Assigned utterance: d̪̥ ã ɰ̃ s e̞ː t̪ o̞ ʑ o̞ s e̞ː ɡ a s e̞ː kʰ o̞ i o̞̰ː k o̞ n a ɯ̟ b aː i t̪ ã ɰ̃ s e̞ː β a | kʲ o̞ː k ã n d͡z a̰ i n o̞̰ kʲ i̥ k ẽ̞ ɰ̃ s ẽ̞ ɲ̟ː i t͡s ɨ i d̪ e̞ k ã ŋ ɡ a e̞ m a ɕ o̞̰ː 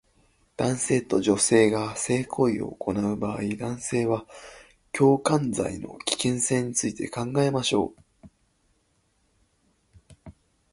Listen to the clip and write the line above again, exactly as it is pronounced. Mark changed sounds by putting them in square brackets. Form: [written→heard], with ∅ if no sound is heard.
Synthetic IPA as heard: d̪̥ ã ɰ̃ s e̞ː t̪ o̞ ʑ o̞ s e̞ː ɡ a s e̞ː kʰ o̞ i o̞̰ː k o̞ n a ɯ̟ b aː i [t̪→d̪] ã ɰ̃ s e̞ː β a | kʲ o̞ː k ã n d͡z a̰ i n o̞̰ kʲ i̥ k ẽ̞ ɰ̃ s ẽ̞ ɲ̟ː i t͡s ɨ i [d̪→t̪] e̞ k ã ŋ ɡ a e̞ m a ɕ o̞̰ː

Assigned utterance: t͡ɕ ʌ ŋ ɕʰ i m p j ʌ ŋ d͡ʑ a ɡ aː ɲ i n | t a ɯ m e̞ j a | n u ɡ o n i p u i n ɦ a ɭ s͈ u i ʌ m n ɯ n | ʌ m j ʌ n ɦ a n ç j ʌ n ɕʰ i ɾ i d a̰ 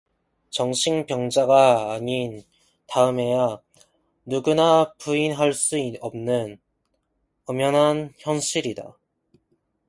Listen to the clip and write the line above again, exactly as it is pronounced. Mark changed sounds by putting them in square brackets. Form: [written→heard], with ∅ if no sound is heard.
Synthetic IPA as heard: t͡ɕ ʌ ŋ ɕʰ i [m→ŋ] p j ʌ ŋ d͡ʑ a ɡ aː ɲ i n | t a ɯ m e̞ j a | n u ɡ [o→u] n [i→a] p u i n ɦ a ɭ s͈ u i ʌ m n ɯ n | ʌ m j ʌ n ɦ a n ç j ʌ n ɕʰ i ɾ i d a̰

